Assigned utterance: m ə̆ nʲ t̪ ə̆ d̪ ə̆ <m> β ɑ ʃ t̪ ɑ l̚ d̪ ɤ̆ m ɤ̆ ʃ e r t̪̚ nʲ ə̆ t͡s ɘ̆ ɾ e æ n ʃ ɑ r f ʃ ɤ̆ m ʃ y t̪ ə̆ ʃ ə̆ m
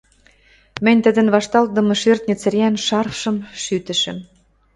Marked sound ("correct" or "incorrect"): incorrect